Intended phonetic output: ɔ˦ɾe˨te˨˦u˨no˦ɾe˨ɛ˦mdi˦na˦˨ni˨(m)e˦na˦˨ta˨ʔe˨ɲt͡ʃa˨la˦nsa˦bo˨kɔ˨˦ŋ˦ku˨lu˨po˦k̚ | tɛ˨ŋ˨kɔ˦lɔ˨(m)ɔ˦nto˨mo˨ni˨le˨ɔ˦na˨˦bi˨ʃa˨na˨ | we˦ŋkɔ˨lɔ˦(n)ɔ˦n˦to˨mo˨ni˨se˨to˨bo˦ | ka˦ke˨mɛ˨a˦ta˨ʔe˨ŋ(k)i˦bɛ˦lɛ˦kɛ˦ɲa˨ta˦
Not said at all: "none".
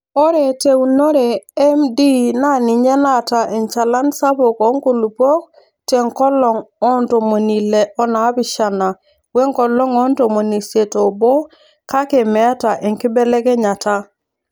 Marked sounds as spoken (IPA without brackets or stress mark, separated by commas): ɲ, ŋ, ŋ, k